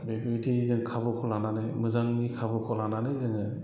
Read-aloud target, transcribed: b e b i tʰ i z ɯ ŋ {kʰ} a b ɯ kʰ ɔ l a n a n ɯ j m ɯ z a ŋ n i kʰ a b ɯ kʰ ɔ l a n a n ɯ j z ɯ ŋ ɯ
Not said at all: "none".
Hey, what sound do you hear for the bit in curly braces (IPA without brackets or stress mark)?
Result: kʰ